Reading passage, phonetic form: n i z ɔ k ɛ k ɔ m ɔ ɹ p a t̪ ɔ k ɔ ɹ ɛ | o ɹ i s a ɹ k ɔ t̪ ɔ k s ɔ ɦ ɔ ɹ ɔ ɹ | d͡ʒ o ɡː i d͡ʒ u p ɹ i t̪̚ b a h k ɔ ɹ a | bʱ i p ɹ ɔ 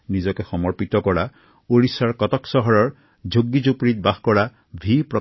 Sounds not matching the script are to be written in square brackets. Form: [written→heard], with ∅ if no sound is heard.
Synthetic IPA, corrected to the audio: n i z ɔ k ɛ [k→x] ɔ m ɔ ɹ p [a→i] t̪ ɔ k ɔ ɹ [ɛ→a] | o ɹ i s a ɹ k ɔ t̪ ɔ k s ɔ ɦ ɔ ɹ ɔ ɹ | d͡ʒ o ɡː i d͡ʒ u p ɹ i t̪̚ b a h k ɔ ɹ a | bʱ i p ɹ ɔ